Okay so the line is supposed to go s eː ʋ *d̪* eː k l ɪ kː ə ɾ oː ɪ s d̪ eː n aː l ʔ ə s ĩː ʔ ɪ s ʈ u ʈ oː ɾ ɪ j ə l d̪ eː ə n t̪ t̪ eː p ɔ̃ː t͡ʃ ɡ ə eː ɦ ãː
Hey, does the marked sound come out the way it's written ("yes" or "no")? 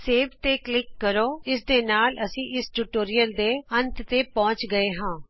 no